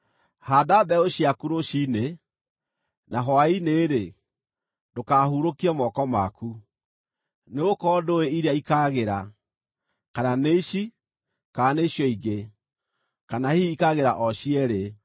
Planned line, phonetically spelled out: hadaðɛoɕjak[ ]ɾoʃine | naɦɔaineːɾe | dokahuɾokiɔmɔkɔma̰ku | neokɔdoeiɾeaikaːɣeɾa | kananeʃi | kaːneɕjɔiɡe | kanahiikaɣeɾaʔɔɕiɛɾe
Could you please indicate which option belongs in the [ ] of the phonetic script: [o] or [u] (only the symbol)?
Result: u